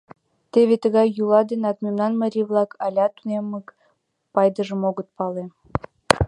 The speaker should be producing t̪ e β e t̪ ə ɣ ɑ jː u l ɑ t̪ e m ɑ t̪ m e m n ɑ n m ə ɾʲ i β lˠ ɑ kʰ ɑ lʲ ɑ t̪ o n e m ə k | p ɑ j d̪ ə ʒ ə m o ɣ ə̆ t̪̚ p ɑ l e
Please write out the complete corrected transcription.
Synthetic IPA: t̪ e β e t̪ ə ɣ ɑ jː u l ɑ d̪ e n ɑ t̪ m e m n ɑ n m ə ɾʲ i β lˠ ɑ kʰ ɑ lʲ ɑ t̪ u n e m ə k | p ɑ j d̪ ə ʒ ə m o ɣ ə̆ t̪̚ p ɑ l e